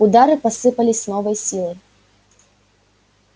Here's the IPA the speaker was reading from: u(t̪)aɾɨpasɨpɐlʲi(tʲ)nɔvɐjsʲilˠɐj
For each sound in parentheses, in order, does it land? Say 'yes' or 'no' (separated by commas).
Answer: no, no